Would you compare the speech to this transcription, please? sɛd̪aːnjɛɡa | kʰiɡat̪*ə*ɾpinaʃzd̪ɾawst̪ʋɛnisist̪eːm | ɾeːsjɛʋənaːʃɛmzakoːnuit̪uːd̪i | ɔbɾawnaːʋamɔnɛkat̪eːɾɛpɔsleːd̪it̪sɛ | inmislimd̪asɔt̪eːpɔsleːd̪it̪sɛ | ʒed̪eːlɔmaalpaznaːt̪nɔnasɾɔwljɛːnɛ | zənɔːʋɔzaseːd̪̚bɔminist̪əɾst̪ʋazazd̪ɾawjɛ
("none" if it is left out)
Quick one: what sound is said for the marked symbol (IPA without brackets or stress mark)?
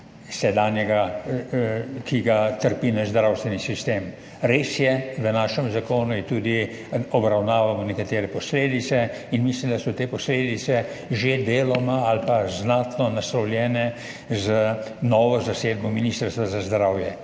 ə